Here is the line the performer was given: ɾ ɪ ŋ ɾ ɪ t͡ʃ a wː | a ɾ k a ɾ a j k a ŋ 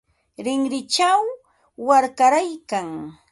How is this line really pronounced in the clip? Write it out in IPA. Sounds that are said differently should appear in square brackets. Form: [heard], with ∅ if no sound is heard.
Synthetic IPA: ɾ ɪ ŋ ɾ ɪ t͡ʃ a wː | a ɾ k a ɾ a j k a ŋ